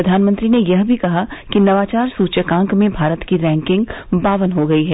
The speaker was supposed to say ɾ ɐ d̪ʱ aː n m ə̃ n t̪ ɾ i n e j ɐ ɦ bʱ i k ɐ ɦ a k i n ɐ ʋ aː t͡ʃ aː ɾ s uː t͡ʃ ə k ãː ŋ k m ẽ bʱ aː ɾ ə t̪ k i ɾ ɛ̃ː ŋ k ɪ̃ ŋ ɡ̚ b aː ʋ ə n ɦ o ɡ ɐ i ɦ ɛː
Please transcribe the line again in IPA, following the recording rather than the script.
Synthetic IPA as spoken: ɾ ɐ d̪ʱ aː n m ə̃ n t̪ ɾ i n e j ɐ ɦ bʱ i k ɐ ɦ a k i n ɐ ʋ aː t͡ʃ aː ɾ s uː t͡ʃ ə k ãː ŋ k m ẽ bʱ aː ɾ ə t̪ k i ɾ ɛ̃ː ŋ k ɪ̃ ŋ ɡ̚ b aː ʋ ə n ɦ o ɡ ɐ i ɦ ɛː

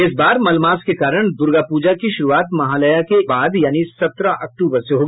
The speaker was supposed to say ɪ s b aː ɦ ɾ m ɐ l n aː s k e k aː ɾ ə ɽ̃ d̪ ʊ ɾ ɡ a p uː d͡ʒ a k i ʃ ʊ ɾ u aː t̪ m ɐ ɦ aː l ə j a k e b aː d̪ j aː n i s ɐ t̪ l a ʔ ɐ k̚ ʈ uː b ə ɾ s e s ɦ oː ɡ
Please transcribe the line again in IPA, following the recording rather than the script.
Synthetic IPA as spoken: ɪ s b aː ɾ m ɐ l m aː s k e k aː ɾ ə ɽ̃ d̪ ʊ ɾ ɡ a p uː d͡ʒ a k i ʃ ʊ ɾ u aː t̪ m ɐ ɦ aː l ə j a k e b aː d̪ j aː n i s ɐ t̪ ɾ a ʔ ɐ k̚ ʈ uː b ə ɾ s e ɦ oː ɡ

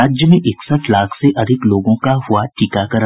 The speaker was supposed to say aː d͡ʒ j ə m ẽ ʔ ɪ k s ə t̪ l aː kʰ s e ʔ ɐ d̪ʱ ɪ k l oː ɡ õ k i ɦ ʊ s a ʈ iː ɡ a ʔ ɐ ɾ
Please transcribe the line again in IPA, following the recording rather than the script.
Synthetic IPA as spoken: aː d͡ʒ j ə m ẽ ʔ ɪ k s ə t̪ l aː kʰ s e ʔ ɐ d̪ʱ ɪ k l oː ɡ õ k a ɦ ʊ a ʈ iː k a k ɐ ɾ

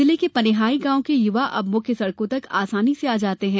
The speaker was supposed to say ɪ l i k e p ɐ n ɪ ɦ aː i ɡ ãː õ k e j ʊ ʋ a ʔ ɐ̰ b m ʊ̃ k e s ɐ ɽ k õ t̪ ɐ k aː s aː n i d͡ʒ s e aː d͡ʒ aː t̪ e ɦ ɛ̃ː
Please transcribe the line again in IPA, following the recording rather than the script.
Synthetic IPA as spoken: ɪ l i k e p ɐ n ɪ ɦ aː i ɡ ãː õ k e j ʊ ʋ a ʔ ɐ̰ b m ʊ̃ k e s ɐ ɽ k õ t̪ ɐ k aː s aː n i s e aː d͡ʒ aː t̪ e ɦ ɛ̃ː

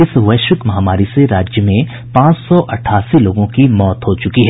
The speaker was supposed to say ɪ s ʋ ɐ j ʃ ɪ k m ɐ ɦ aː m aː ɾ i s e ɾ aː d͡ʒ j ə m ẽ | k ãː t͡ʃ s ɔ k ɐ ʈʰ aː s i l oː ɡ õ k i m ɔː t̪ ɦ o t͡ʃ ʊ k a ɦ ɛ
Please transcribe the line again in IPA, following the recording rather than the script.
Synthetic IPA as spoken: ɪ s ʋ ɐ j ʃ ɪ k m ɐ ɦ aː m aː ɾ i s e ɾ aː d͡ʒ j ə m ẽ | p ãː t͡ʃ s ɔ ʔ ɐ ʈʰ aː s i l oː ɡ õ k i m ɔː t̪ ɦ o t͡ʃ ʊ k i ɦ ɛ

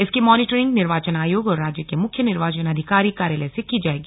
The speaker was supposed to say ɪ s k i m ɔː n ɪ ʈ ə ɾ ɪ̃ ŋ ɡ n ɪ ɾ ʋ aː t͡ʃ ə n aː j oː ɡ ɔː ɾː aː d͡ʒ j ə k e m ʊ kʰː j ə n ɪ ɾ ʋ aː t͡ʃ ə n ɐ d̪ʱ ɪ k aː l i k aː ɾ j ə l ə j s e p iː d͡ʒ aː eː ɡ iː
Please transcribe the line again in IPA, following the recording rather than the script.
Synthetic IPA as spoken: ɪ s k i m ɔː n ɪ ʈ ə ɾ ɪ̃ ŋ ɡ n ɪ ɾ ʋ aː t͡ʃ ə n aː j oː ɡ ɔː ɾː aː d͡ʒ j ə k e m ʊ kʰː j ə n ɪ ɾ ʋ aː t͡ʃ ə n ɐ d̪ʱ ɪ k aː ɾ i k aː ɾ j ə l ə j s e k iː d͡ʒ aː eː ɡ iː

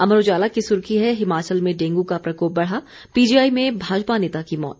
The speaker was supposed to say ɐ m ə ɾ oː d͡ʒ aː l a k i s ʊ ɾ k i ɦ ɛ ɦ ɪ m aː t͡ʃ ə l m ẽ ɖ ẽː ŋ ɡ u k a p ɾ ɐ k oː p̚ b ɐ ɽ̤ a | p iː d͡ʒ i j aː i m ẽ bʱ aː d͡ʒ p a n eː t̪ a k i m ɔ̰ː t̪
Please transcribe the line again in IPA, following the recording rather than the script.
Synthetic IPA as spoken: ɐ m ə ɾ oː d͡ʒ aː l a k i s ʊ ɾ k i ɦ ɛ ɦ ɪ m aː t͡ʃ ə l m ẽ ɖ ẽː ŋ ɡ u k a p ɾ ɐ k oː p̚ b ɐ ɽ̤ a | p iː d͡ʒ i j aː i m ẽ bʱ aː d͡ʒ p a n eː t̪ a k i m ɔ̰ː t̪

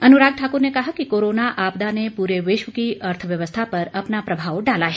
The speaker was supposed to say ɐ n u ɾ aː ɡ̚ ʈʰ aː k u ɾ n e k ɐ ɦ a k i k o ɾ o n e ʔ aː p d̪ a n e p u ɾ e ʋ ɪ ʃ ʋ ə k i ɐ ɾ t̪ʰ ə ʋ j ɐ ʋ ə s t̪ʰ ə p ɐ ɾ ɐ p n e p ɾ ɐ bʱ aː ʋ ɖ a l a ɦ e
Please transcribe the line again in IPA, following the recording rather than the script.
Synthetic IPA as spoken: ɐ n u ɾ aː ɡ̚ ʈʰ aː k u ɾ n e k ɐ ɦ a k i k o ɾ o n a ʔ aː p d̪ a n e p u ɾ e ʋ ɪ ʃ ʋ ə k i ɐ ɾ t̪ʰ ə ʋ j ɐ ʋ ə s t̪ʰ a p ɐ ɾ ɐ p n a p ɾ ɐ bʱ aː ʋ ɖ a l a ɦ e

